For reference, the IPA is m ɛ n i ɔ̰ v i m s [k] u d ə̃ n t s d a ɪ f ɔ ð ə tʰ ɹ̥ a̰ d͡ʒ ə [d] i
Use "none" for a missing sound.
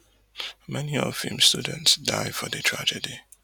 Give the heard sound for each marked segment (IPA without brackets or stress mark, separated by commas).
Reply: t, d